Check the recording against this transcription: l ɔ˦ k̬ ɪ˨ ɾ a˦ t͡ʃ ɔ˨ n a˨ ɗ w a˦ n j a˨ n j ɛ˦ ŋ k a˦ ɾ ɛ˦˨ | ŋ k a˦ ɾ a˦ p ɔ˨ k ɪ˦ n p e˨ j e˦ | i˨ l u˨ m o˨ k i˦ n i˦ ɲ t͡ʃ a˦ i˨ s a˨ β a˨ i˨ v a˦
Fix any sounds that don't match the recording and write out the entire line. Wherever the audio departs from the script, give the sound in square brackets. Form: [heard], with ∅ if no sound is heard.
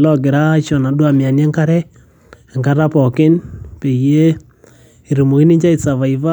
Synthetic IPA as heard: l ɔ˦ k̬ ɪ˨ ɾ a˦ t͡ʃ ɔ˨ n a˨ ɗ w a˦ [m] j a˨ n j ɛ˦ ŋ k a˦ ɾ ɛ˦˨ | ŋ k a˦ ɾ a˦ p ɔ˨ k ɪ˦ n p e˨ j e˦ | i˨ [ɾ] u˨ m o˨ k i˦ n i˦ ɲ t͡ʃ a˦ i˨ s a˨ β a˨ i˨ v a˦